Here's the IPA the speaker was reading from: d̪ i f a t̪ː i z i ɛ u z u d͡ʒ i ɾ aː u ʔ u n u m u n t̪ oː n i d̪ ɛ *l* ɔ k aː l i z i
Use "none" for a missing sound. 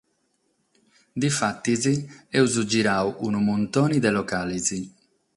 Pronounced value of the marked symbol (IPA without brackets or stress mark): l